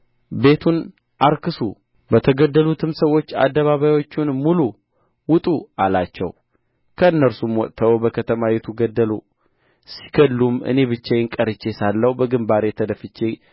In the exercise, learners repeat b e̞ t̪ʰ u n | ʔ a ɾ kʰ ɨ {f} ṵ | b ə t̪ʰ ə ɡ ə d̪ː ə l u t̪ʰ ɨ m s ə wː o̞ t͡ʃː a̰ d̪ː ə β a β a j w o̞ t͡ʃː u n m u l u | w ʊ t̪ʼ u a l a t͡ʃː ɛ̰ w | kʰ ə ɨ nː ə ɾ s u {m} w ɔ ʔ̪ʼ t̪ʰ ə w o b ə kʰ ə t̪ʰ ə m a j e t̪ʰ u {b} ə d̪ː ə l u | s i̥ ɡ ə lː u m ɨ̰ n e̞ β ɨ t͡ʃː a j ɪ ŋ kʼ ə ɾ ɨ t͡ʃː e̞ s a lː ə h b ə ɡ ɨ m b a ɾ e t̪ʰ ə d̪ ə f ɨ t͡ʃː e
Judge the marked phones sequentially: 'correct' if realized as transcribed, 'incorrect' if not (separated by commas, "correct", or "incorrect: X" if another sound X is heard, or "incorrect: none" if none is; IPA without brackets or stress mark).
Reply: incorrect: s, correct, incorrect: ɡ